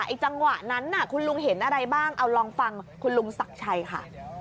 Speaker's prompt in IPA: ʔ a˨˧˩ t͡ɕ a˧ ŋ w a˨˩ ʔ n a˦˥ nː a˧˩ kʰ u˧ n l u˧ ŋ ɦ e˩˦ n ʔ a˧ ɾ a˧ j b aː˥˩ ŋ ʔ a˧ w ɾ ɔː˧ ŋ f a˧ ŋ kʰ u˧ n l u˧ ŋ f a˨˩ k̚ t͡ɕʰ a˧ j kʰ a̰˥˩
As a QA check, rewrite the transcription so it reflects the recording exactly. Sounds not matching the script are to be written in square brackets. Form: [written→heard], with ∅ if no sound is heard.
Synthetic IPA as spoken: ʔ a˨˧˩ t͡ɕ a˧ ŋ w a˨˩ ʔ n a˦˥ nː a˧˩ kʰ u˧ n l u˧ ŋ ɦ e˩˦ n ʔ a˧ ɾ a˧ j b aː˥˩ ŋ ʔ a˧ w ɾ ɔː˧ ŋ f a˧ ŋ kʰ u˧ n l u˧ ŋ [f→s] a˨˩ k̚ t͡ɕʰ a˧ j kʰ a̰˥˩